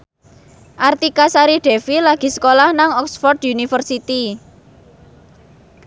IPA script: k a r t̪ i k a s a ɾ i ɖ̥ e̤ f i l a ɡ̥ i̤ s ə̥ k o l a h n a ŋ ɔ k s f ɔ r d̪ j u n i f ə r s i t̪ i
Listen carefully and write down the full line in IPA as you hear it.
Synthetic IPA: ʔ a r t̪ i k a s a ɾ i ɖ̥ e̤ f i l a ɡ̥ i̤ s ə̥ k o l a h n a ŋ ɔ k s f ɔ r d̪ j u n i f ə r s i t̪ i